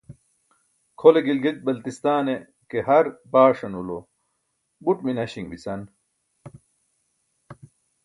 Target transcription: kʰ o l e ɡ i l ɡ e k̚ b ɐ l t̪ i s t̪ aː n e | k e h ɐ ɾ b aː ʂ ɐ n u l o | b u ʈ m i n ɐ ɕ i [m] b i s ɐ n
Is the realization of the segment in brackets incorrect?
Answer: yes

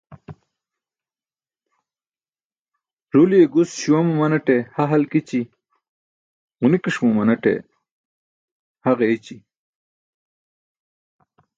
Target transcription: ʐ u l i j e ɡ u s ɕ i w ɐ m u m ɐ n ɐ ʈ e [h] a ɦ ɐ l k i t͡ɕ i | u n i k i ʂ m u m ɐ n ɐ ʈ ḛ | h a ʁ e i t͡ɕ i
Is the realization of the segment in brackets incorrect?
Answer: no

